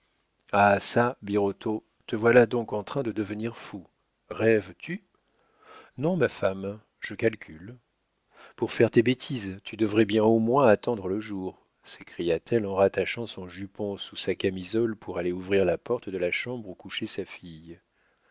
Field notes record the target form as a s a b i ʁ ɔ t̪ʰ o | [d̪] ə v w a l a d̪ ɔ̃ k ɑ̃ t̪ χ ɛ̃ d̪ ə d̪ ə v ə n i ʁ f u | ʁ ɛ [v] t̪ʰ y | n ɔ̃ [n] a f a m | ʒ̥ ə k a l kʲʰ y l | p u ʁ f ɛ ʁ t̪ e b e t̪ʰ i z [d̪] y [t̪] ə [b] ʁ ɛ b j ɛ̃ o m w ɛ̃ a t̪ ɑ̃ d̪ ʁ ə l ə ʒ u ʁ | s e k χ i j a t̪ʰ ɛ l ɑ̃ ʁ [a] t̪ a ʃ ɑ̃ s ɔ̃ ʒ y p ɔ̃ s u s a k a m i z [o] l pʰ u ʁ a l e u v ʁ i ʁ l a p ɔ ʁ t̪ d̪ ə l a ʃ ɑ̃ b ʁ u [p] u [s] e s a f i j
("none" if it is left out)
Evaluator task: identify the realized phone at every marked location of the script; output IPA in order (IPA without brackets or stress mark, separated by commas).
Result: t̪, v, m, t̪, d̪, v, a, ɔ, k, ʃ